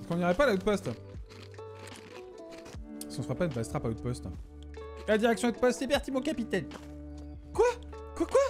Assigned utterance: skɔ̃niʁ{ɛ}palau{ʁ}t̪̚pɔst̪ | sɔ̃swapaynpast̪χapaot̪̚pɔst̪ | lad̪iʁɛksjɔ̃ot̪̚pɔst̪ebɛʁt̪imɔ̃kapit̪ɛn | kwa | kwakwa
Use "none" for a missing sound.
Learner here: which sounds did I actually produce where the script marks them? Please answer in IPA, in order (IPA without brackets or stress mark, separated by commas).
ɛ, none